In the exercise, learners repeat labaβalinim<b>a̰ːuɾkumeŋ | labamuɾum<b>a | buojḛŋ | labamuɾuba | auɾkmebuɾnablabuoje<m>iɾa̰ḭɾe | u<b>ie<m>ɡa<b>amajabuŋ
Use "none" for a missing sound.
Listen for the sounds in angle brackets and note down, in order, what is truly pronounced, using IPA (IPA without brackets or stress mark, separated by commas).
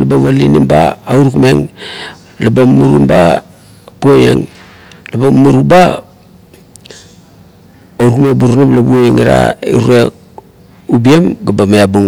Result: b, b, ŋ, b, m, b